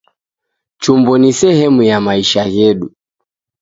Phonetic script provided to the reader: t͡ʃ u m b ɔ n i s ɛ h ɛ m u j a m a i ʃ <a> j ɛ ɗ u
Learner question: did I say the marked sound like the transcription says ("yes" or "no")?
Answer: yes